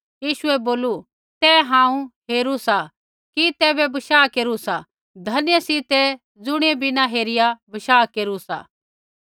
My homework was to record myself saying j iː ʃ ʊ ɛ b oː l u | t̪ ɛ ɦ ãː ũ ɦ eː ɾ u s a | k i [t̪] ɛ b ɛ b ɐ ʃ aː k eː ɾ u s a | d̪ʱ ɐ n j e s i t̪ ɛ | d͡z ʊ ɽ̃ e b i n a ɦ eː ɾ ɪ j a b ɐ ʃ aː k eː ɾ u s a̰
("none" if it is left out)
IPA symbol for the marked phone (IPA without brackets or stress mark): t̪